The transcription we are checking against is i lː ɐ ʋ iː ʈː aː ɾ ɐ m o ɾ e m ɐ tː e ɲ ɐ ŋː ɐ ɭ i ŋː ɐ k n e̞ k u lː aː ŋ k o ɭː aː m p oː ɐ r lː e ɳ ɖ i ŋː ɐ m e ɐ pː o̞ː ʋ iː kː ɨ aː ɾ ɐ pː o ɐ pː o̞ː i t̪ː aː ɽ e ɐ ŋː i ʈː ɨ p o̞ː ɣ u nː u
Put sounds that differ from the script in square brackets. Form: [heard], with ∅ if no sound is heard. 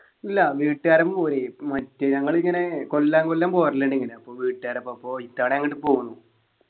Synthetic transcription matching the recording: i lː ɐ ʋ iː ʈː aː ɾ ɐ m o ɾ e m ɐ tː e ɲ ɐ ŋː ɐ ɭ i ŋː ɐ [∅] n e̞ k [o] lː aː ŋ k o [lː] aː m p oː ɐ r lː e ɳ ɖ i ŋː ɐ [n] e ɐ pː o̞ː ʋ iː [ʈː] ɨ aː ɾ ɐ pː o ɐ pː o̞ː i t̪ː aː ɽ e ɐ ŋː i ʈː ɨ p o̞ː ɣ u nː u